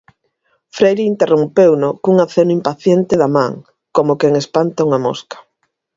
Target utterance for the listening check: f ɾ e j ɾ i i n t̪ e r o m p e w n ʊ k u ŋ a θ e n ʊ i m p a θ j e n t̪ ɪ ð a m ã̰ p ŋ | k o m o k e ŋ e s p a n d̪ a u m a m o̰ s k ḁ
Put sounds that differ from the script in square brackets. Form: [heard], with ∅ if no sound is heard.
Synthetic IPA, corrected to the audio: f ɾ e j ɾ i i n t̪ e r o m p e w n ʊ k u ŋ a θ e n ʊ i m p a θ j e n t̪ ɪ ð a m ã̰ [∅] ŋ | k o m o k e ŋ e s p a n [t̪] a u [ŋ] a m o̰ s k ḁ